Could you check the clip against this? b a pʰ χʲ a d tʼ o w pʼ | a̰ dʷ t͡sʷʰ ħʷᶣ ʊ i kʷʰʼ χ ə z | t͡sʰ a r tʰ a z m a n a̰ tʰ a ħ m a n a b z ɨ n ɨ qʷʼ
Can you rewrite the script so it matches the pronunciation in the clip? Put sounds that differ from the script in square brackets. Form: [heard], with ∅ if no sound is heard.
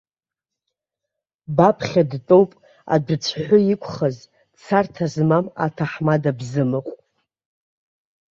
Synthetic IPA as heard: b a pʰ χʲ a d tʼ o w pʼ | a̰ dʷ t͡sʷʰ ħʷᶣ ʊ i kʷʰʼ χ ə z | t͡sʰ a r tʰ a z m a [m] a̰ tʰ a ħ m a [d] a b z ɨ [m] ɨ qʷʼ